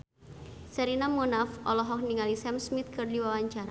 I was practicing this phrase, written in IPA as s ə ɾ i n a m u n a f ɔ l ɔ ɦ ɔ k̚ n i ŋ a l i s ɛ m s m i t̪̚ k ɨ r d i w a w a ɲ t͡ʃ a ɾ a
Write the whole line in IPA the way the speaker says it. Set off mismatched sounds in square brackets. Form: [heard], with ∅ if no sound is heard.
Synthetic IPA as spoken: s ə ɾ i n a m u n a f ɔ l ɔ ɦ ɔ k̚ n i ŋ a l i s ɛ m s m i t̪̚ k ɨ r d i w a w a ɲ t͡ʃ a ɾ a